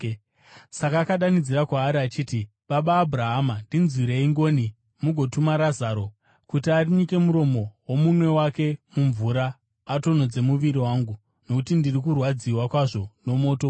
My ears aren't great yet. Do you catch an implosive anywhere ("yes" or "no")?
yes